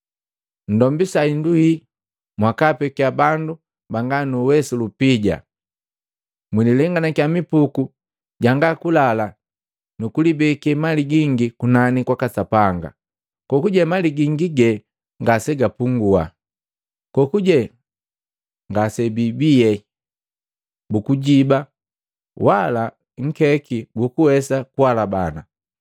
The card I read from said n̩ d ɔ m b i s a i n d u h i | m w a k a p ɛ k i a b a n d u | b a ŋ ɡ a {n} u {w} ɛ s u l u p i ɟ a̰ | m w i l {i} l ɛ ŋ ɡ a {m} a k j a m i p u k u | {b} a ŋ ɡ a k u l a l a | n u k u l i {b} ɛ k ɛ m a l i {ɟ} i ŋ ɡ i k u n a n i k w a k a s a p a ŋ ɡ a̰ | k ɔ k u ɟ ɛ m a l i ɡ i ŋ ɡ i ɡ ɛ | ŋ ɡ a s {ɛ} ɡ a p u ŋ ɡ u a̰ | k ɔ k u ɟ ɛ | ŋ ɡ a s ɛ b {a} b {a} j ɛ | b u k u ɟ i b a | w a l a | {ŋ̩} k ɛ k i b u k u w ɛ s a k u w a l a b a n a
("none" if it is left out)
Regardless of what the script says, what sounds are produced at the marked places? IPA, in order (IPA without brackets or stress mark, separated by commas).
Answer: n, w, i, n, ɟ, b, ɡ, ɛ, i, i, ŋ̩